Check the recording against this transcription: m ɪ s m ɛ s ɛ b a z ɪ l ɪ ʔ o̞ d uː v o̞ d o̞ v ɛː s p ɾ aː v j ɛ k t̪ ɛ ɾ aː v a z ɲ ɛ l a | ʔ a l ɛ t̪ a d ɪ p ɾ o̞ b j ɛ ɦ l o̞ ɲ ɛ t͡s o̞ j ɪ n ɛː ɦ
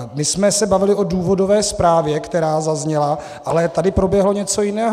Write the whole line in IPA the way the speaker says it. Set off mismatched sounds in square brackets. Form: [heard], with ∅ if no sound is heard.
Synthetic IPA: m ɪ s m ɛ s ɛ b a [v] ɪ l ɪ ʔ o̞ d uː v o̞ d o̞ v ɛː s p ɾ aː v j ɛ k t̪ ɛ ɾ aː [z] a z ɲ ɛ l a | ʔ a l ɛ t̪ a d ɪ p ɾ o̞ b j ɛ ɦ l o̞ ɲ ɛ t͡s o̞ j ɪ n ɛː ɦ